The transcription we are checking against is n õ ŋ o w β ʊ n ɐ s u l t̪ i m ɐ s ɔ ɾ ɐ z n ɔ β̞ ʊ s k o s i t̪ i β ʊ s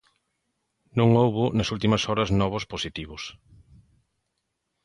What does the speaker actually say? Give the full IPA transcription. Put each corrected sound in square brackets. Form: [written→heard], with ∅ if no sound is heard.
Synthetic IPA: n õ ŋ o w β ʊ n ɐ s u l t̪ i m ɐ s ɔ ɾ ɐ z n ɔ β̞ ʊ s [k→p] o s i t̪ i β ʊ s